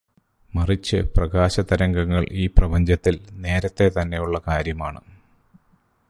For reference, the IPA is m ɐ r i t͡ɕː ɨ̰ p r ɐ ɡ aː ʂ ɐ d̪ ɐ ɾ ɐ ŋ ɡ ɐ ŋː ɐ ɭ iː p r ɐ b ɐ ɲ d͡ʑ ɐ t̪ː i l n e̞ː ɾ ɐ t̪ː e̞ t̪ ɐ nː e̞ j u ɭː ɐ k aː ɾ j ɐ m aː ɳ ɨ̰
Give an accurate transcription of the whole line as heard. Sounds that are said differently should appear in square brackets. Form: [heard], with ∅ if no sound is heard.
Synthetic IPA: m ɐ r i t͡ɕː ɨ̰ p r ɐ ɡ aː [ɕ] ɐ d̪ ɐ ɾ ɐ ŋ ɡ ɐ ŋː ɐ ɭ iː p r ɐ b ɐ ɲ d͡ʑ ɐ t̪ː i l n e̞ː ɾ ɐ t̪ː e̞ t̪ ɐ nː e̞ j u ɭː ɐ k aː ɾ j ɐ m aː ɳ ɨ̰